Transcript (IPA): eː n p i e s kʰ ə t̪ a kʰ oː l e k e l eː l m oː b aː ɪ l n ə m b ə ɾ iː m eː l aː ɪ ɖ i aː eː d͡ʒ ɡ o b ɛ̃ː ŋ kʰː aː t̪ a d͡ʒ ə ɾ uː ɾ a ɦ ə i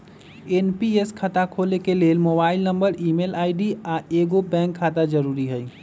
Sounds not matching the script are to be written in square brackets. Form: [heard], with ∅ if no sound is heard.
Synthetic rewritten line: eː n p i e s kʰ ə t̪ a kʰ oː l e k e l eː l m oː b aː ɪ l n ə m b ə ɾ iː m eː l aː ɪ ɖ i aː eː [∅] ɡ o b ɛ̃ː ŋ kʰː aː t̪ a d͡ʒ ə ɾ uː ɾ [i] ɦ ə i

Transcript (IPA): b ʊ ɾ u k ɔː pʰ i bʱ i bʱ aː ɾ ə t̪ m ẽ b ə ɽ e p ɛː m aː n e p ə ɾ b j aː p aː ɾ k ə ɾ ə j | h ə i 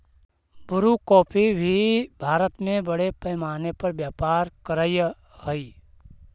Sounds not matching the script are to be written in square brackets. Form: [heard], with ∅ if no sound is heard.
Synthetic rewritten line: b ʊ ɾ u k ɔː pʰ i bʱ i bʱ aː ɾ ə t̪ m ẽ b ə ɽ e p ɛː m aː n e p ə ɾ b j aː p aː ɾ k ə ɾ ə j | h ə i

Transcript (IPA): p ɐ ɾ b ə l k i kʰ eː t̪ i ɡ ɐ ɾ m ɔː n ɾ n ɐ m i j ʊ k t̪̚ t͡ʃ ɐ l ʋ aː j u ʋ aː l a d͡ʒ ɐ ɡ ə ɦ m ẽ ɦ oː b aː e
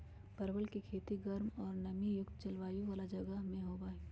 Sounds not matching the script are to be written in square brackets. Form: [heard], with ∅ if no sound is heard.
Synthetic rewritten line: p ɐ ɾ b ə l k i kʰ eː t̪ i ɡ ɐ ɾ m ɔː [∅] ɾ n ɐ m i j ʊ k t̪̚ t͡ʃ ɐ l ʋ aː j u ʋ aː l a d͡ʒ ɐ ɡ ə ɦ m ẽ ɦ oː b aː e

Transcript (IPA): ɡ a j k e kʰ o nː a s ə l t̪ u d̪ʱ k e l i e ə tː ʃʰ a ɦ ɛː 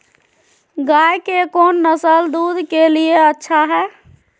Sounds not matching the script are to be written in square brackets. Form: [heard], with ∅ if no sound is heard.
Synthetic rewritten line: ɡ a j k e [k] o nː [ə] s ə l [d̪] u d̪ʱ k e l i e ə tː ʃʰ a ɦ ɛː

